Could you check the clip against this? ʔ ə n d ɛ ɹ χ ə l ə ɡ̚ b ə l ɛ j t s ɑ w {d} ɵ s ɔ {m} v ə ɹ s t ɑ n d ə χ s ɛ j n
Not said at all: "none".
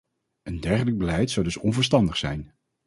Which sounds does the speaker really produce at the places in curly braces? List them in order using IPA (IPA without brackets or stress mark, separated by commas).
d, n